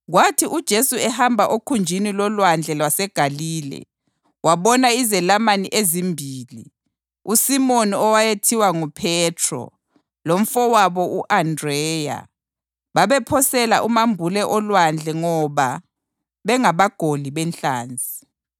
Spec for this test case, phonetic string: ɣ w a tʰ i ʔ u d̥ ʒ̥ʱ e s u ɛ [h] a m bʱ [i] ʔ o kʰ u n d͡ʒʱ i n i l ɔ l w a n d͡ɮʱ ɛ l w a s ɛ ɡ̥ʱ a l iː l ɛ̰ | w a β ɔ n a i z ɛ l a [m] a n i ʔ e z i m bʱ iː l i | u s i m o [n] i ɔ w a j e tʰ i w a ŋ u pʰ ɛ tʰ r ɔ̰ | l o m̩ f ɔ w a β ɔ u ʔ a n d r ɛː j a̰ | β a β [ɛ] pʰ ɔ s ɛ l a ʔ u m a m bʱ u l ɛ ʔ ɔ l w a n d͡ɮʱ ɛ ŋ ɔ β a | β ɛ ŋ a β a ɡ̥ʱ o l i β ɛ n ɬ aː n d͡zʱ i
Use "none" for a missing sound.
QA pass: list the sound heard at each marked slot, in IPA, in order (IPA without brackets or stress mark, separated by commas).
h, a, m, n, ɛ